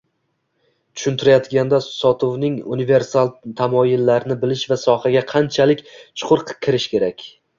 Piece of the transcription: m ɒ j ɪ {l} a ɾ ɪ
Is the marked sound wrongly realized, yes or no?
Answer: yes